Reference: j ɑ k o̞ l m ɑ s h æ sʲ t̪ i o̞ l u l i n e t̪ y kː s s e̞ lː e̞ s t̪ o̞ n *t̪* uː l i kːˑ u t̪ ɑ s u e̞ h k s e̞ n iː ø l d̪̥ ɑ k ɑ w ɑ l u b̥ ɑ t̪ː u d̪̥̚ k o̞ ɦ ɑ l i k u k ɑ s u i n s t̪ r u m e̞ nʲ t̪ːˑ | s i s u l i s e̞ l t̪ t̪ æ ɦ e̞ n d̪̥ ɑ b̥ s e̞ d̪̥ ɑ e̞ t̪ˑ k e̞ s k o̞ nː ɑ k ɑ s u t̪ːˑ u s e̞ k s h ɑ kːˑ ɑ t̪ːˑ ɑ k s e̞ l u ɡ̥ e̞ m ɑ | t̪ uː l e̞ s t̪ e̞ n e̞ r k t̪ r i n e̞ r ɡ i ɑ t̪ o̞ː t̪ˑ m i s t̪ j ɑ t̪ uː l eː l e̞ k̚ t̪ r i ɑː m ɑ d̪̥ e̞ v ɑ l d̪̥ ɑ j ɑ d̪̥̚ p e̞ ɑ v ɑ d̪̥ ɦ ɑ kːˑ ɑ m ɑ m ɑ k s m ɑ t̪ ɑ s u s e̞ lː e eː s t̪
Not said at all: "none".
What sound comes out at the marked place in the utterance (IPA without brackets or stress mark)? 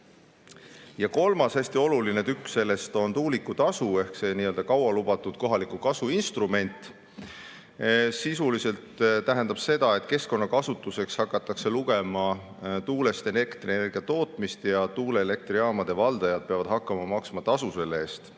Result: t̪